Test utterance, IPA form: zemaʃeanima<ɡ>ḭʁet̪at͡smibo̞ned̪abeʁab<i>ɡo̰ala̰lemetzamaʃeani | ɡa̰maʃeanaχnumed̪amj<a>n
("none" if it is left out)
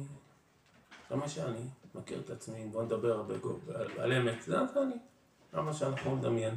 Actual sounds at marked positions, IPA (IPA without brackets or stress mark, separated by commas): k, e, e